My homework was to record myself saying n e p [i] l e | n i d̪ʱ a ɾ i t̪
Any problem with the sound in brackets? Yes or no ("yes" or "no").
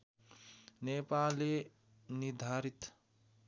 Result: yes